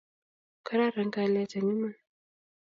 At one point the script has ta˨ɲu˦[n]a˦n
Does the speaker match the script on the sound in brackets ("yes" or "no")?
no